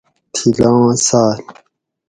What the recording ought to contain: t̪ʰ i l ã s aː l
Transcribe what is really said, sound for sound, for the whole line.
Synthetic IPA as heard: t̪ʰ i l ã s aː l